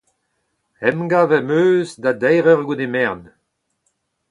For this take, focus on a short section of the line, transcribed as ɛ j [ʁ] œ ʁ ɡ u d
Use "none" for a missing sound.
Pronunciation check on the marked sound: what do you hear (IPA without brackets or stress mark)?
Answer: ʁ